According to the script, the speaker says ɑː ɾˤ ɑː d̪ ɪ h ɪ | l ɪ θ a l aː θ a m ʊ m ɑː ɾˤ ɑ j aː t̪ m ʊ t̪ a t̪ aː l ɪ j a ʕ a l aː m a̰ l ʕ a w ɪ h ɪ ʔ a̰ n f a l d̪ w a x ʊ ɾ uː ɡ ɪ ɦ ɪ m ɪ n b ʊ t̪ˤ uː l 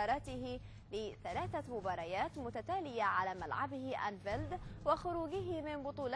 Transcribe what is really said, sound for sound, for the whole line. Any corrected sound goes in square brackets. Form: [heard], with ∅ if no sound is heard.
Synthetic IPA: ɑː ɾˤ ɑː [t̪] ɪ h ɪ | l ɪ θ a l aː θ a m ʊ [b] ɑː ɾˤ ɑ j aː t̪ m ʊ t̪ a t̪ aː l ɪ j a ʕ a l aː m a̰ l ʕ a [b] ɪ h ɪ ʔ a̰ n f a l d̪ w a x ʊ ɾ uː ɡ ɪ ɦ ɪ m ɪ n b ʊ t̪ˤ uː l